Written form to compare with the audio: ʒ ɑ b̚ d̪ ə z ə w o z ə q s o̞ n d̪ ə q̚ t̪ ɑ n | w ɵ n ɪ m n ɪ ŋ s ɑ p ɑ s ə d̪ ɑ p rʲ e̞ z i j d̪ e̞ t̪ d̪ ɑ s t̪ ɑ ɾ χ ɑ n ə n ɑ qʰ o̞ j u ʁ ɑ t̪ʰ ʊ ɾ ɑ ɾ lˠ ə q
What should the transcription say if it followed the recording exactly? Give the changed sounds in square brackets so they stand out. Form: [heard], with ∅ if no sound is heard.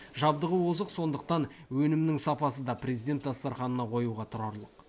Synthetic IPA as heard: ʒ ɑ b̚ d̪ ə [ʁ] ə w o z ə q s o̞ n d̪ ə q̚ t̪ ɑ n | w ɵ n ɪ m n ɪ ŋ s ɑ p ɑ s ə d̪ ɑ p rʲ e̞ z i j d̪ e̞ t̪ d̪ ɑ s t̪ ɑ ɾ χ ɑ n ə n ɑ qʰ o̞ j u ʁ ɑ t̪ʰ ʊ ɾ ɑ ɾ lˠ ə q